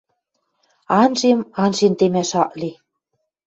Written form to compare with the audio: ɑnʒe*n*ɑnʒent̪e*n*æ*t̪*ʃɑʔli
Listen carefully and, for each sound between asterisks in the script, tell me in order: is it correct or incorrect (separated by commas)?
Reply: incorrect, incorrect, incorrect